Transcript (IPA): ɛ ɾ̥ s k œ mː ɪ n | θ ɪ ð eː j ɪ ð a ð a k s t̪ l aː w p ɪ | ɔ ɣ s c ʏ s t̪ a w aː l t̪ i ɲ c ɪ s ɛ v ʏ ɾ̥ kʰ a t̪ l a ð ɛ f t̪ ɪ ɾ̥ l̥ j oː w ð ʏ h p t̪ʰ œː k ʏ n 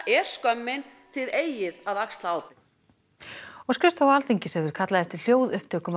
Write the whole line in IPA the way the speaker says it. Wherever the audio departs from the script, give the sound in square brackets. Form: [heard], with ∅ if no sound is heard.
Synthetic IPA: ɛ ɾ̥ s k œ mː ɪ n | θ ɪ ð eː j ɪ ð a ð a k s t̪ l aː w p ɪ | ɔ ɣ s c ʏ s t̪ a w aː l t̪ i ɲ c ɪ s ɛ v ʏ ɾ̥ kʰ a t̪ l a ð ɛ f t̪ ɪ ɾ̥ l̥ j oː w ð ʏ h p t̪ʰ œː k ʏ [m]

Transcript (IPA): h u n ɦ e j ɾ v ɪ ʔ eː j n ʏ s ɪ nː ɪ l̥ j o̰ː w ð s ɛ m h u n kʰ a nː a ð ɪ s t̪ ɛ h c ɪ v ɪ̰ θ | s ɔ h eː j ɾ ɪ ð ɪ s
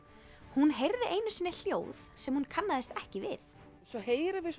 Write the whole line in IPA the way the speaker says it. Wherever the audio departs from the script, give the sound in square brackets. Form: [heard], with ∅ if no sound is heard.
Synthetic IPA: h u n ɦ e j ɾ [ð] ɪ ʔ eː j n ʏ s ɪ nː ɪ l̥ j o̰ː w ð s ɛ m h u n kʰ a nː a ð ɪ s t̪ ɛ h c ɪ v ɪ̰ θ | s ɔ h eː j ɾ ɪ [v] ɪ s

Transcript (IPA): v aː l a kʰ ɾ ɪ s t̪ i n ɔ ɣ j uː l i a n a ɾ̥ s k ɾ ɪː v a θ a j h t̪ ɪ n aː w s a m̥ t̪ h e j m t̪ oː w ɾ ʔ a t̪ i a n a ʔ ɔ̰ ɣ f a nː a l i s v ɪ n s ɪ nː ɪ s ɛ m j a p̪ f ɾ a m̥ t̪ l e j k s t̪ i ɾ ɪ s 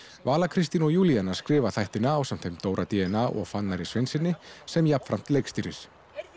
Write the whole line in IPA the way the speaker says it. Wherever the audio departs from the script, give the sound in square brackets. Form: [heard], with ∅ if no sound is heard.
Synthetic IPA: v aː l a kʰ ɾ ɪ s t̪ i n ɔ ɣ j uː l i a n a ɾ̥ s k ɾ ɪː v a θ a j h t̪ ɪ n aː w s a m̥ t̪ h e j m t̪ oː w ɾ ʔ a t̪ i [ɛ] n a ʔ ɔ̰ ɣ f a nː a [ɾ] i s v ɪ n s ɪ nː ɪ s ɛ m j a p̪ f ɾ a m̥ t̪ l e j k s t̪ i ɾ ɪ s

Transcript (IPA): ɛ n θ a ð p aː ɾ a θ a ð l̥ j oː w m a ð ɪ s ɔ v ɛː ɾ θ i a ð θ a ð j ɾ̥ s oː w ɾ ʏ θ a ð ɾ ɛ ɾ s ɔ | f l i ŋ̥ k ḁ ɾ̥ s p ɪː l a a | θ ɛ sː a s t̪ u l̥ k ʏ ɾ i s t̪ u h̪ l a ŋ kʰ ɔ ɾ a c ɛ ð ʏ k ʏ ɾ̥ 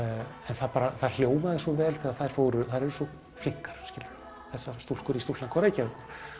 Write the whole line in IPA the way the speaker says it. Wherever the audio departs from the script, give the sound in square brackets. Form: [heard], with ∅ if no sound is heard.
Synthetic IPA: ɛ n θ a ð p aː ɾ a θ a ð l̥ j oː w m a ð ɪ s ɔ v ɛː [l] θ i a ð θ a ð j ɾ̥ [f] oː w ɾ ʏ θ a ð ɾ ɛ ɾ s ɔ | f l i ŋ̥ k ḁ ɾ̥ s [c] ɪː l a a | θ ɛ sː a s t̪ u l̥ k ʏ ɾ i s t̪ u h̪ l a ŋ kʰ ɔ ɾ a c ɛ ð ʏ k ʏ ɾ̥

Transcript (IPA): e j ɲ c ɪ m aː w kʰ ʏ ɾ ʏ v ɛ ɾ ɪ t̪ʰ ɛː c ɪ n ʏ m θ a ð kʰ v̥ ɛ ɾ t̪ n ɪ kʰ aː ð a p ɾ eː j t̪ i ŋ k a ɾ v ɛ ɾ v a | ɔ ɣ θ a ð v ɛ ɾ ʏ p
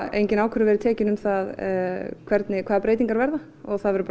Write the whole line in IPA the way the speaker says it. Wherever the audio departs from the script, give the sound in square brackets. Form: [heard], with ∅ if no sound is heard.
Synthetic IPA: e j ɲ c ɪ [n] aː w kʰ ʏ ɾ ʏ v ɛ ɾ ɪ t̪ʰ ɛː c ɪ n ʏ m θ a ð kʰ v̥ ɛ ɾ t̪ n ɪ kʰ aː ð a p ɾ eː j t̪ i ŋ k a ɾ v ɛ ɾ [ð] a | ɔ ɣ θ a ð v ɛ ɾ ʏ p

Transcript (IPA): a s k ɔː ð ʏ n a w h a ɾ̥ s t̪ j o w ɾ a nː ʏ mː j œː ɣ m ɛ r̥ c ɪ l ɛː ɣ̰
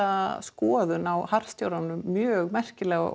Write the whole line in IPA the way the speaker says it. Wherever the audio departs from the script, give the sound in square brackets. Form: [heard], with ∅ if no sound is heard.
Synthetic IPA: a s k ɔː ð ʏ n a w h a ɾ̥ s t̪ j o w ɾ a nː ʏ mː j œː ɣ m ɛ r̥ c ɪ l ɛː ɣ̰

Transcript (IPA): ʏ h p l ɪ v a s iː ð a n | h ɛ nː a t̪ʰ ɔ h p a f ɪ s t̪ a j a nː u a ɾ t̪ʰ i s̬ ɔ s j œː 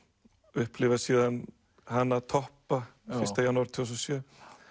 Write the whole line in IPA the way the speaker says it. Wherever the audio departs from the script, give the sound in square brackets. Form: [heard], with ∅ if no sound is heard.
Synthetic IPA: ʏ h p l ɪ v a s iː ð a n | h [a] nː a t̪ʰ ɔ h p a f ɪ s t̪ a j a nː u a ɾ t̪ʰ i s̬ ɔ s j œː

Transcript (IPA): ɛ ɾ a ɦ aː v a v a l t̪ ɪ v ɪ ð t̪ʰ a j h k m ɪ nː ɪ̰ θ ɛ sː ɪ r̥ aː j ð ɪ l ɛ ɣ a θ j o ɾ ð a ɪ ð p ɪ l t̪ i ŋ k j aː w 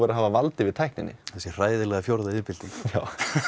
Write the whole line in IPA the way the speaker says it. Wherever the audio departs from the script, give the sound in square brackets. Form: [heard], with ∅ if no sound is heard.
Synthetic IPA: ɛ ɾ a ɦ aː v a v a l t̪ ɪ v ɪ ð t̪ʰ a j h k [n] ɪ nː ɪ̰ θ ɛ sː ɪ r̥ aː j ð ɪ l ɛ ɣ a [f] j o ɾ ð a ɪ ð p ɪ l t̪ i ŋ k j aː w

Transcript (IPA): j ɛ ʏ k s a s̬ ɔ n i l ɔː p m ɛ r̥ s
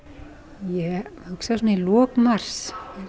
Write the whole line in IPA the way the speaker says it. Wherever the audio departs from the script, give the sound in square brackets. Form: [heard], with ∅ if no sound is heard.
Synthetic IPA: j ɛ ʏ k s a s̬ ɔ n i l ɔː [k] m [a] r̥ s

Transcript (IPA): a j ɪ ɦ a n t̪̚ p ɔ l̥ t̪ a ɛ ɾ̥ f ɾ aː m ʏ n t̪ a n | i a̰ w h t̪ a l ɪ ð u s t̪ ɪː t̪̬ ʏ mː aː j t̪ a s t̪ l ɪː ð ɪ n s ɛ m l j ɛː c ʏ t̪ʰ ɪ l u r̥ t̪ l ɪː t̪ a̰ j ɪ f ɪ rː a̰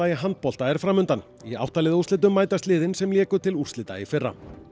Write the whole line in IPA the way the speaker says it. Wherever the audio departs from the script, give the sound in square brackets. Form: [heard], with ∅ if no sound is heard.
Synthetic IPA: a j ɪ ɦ a n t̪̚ p ɔ l̥ t̪ a ɛ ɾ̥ f ɾ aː m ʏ n t̪ a n | i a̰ w h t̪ a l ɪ ð u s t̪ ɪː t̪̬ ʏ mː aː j t̪ a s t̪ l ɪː ð ɪ n s ɛ m l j ɛː [k] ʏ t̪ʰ ɪ l u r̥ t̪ l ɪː t̪ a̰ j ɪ f ɪ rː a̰

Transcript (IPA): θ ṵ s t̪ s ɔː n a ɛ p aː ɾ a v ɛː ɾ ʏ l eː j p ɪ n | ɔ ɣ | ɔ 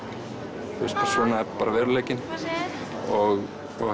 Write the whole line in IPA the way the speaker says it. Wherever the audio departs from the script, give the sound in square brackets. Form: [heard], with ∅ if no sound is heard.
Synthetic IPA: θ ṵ s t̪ s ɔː n a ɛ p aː ɾ a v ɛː ɾ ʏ l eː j [c] ɪ n | ɔ ɣ | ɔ

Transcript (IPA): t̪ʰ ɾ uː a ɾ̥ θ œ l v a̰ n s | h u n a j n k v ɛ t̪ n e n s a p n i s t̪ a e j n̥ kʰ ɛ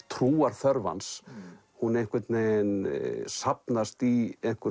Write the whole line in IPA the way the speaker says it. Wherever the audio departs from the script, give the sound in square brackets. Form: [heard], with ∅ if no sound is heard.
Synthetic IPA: t̪ʰ ɾ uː a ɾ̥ θ œ [ɾ] v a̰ n s | h u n [e] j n k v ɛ t̪ n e n s a p n [a] s t̪ [i] e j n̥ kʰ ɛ

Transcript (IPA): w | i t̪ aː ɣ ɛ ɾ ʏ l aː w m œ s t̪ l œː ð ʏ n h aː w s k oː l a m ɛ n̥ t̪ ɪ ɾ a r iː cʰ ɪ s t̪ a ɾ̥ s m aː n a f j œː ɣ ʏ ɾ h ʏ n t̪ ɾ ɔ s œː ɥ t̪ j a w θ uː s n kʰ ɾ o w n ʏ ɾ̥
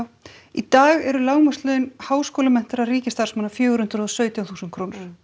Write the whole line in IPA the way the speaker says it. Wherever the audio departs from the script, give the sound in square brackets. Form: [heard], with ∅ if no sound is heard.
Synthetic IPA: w | i t̪ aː ɣ ɛ ɾ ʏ l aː w m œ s t̪ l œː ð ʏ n h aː w s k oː l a m ɛ n̥ t̪ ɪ ɾ a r iː [c] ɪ s t̪ a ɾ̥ s m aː n a f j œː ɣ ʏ ɾ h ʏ n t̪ ɾ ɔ s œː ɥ t̪ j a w θ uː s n kʰ ɾ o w n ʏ ɾ̥

